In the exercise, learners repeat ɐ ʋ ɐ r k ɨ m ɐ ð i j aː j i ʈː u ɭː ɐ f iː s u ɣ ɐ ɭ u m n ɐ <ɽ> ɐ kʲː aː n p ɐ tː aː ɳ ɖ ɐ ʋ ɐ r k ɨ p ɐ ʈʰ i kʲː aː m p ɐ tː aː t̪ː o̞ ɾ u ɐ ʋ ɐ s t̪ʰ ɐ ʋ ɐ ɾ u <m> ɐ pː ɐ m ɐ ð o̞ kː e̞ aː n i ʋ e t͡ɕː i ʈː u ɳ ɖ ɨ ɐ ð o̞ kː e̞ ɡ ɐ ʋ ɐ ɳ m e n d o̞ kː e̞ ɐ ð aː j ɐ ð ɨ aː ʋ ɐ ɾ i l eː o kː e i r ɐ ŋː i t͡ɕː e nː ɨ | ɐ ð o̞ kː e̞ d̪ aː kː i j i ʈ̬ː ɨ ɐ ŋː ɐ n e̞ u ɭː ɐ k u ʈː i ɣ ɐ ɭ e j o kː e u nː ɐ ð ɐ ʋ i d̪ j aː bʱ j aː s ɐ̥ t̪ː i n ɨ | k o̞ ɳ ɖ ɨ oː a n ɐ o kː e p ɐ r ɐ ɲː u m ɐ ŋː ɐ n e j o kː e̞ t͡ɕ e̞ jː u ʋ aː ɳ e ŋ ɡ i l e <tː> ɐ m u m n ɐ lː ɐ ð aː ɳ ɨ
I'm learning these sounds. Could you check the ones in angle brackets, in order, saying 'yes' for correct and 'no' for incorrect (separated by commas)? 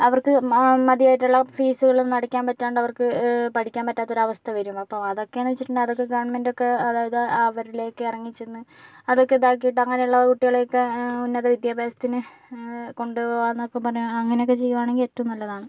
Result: yes, yes, yes